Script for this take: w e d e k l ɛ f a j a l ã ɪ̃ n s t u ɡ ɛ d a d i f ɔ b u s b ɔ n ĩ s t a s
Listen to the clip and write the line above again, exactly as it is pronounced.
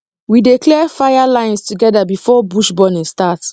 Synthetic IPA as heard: w i d e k l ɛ f a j a l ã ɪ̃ n s t u ɡ ɛ d a b i f ɔ b u ʃ b ɔ n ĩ s t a t

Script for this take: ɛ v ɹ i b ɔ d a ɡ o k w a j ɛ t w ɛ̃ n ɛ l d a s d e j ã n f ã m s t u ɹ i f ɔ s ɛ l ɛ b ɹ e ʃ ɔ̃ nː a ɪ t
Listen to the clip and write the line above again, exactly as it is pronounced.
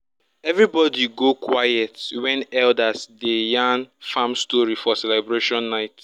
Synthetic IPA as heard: ɛ v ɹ i b ɔ d i ɡ o k w a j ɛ t w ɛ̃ n ɛ l d a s d e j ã n f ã m s t ɔ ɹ i f ɔ s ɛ l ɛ b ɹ e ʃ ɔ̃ nː a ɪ t

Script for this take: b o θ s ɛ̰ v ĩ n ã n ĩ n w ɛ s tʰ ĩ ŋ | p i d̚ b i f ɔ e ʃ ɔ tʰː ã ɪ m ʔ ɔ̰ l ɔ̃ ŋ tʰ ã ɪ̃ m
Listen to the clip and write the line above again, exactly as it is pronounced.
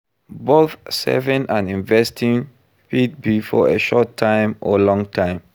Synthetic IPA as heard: b o θ s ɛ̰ v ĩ n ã n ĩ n v ɛ s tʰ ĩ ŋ | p i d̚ b i f ɔ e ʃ ɔ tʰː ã ɪ m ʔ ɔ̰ l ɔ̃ ŋ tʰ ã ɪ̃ m

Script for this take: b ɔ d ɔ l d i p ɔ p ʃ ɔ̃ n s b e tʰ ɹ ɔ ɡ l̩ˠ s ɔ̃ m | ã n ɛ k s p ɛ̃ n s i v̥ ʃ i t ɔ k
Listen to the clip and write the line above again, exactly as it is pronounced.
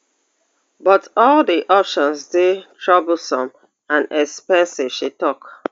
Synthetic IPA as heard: b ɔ t ɔ l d i ʔ ɔ p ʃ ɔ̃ n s d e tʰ ɹ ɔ b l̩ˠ s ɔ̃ m | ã n ɛ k s p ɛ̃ n s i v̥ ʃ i t ɔ k

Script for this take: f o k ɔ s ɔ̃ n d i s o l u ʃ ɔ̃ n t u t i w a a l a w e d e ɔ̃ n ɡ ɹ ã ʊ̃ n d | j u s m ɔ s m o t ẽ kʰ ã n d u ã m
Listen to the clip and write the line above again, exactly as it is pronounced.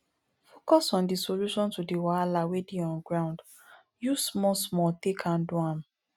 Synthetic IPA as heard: f o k ɔ s ɔ̃ n d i s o l u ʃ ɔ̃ n t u d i w a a l a w e d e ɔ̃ n ɡ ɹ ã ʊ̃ n d | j u s m ɔ s m ɔ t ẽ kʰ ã n d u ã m

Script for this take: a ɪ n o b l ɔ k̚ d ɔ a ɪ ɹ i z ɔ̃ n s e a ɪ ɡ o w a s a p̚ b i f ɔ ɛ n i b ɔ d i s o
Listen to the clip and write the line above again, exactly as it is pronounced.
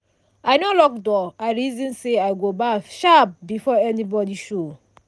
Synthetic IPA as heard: a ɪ n o l ɔ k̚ d ɔ a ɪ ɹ i z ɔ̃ n s e a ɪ ɡ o b a ʃ a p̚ b i f ɔ ɛ n i b ɔ d i ʃ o

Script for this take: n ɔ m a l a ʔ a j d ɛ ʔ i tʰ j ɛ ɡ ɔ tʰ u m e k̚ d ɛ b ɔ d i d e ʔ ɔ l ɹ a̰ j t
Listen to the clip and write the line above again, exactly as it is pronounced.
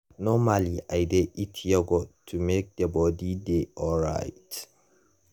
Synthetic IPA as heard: n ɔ m a l i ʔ a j d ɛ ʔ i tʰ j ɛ ɡ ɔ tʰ u m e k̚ d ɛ b ɔ d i d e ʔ ɔ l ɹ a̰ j t

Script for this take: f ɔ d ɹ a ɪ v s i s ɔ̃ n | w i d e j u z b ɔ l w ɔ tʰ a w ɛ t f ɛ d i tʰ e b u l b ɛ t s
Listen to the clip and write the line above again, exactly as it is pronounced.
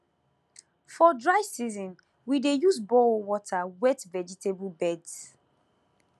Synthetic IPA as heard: f ɔ d ɹ a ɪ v s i z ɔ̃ n | w i d e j u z b ɔ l w ɔ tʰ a w ɛ t v ɛ d͡ʒ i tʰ e b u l b ɛ d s

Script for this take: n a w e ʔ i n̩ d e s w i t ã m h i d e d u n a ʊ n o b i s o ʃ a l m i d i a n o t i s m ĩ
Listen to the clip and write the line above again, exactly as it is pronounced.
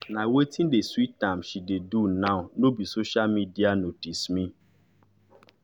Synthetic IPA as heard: n a w e t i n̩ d e s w i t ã m ʃ i d e d u n a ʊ n o b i s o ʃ a l m i d i a n o t i s m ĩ

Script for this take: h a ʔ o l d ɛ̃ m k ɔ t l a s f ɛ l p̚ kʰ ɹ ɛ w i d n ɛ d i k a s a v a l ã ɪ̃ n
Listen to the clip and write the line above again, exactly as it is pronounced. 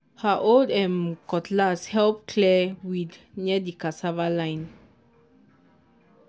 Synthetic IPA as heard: h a ʔ o l d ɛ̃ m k ɔ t l a s h ɛ l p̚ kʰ l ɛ w i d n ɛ d i k a s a v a l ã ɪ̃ n

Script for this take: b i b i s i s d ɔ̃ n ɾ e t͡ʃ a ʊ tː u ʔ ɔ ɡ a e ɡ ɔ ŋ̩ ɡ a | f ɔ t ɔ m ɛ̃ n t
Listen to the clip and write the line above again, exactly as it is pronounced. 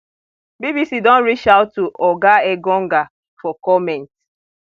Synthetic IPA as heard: b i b i s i d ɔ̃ n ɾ i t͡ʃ a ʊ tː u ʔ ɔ ɡ a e ɡ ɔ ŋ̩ ɡ a | f ɔ k ɔ m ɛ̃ n t

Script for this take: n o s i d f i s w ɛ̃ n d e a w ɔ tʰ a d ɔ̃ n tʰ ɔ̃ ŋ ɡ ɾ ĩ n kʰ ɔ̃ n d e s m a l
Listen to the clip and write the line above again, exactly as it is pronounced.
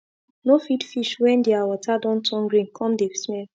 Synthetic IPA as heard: n o f i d f i ʃ w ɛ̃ n d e a w ɔ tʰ a d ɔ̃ n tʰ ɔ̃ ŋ ɡ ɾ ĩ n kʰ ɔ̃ m d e s m ɛ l

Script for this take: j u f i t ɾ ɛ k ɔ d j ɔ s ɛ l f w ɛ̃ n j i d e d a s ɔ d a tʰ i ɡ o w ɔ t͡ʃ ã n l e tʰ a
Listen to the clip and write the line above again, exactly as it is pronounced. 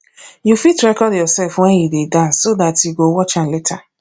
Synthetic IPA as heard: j u f i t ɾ ɛ k ɔ d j ɔ s ɛ l f w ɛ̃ n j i d e d a s o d a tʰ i ɡ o w ɔ t͡ʃ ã n l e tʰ a

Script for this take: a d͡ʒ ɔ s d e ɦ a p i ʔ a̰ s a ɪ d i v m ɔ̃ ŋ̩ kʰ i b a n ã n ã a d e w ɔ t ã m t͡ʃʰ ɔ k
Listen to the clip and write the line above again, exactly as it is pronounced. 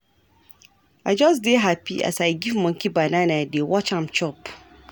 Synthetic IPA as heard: a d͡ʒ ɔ s d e ɦ a p i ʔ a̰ s a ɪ ɡ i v m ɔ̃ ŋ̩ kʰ i b a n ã n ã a d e w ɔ t͡ʃ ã m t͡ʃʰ ɔ p

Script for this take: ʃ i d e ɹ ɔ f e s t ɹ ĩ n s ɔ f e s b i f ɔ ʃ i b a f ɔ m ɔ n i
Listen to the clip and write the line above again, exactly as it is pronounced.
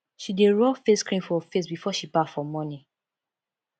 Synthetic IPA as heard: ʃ i d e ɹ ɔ f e s k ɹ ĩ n f ɔ f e s b i f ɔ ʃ i b a f ɔ m ɔ n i

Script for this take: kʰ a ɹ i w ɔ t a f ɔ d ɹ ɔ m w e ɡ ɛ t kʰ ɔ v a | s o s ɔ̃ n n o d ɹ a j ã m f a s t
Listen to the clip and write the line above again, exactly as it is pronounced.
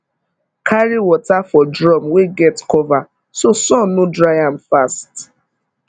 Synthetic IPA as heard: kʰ a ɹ i w ɔ t a f ɔ d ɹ ɔ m w e ɡ ɛ t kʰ ɔ v a | s o s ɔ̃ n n o d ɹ a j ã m f a s t

